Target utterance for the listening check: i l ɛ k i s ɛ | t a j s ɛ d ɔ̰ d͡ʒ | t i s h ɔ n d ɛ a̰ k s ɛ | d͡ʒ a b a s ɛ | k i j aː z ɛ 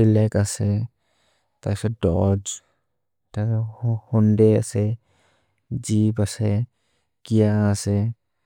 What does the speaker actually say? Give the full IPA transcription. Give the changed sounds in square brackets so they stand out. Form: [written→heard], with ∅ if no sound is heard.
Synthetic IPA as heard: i l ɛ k [i→a] s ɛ | t a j s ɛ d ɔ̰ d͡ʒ | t [i→a] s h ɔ n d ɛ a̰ [k→∅] s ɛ | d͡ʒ [a→i] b a s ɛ | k i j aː [z→s] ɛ